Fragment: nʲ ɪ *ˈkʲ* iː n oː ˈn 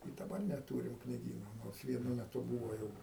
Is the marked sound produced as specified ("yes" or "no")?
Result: no